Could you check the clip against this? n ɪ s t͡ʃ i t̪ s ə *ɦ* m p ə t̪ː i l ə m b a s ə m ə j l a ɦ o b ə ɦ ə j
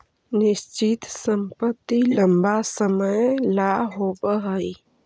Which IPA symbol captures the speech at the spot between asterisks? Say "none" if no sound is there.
none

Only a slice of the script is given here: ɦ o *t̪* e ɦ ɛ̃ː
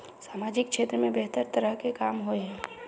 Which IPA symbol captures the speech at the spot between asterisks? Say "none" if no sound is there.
none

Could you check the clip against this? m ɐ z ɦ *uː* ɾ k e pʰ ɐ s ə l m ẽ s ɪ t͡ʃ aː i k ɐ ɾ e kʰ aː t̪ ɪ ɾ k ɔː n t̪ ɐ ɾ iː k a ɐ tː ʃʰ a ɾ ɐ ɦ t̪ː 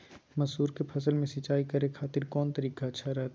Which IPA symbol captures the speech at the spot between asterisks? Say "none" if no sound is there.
uː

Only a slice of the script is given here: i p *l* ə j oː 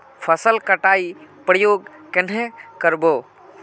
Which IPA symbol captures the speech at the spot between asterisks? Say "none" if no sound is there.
ɾ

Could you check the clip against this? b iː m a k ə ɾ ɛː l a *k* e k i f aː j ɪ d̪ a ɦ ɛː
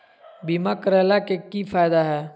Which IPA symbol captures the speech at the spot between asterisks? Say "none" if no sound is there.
k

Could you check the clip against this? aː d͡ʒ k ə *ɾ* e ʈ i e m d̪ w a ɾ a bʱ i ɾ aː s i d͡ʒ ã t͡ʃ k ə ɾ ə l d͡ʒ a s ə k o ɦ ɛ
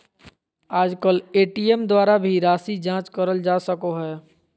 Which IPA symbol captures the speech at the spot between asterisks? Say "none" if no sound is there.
l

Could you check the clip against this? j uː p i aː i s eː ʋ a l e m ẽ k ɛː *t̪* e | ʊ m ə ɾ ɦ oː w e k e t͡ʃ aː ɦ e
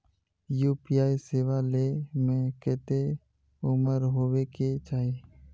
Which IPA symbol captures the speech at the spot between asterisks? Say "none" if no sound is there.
t̪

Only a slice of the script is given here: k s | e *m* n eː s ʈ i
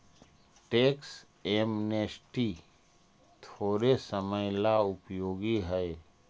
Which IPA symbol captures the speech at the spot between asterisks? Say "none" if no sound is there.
m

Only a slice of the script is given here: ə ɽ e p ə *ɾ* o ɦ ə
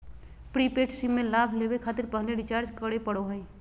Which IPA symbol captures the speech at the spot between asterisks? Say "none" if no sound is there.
ɽ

